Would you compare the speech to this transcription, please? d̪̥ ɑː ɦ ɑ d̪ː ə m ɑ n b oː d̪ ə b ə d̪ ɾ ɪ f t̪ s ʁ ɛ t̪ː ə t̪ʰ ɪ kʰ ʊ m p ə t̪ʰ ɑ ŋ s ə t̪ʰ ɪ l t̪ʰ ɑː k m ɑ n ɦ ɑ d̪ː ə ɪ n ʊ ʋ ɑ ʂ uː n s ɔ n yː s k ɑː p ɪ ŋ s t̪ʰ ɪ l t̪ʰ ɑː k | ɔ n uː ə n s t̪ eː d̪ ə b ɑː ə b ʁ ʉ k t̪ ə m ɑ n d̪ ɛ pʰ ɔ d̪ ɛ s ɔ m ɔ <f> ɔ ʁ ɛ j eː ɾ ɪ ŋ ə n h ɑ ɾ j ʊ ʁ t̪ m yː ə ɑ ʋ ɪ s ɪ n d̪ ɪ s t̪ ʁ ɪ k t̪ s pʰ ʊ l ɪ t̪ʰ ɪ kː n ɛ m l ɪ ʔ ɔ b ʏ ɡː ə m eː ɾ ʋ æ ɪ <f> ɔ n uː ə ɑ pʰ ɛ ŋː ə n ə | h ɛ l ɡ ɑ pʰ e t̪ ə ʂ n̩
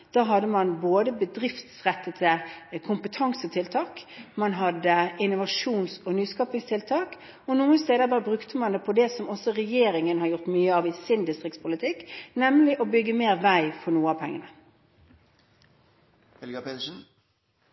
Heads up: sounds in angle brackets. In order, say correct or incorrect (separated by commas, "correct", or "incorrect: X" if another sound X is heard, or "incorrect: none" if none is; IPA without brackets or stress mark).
incorrect: s, correct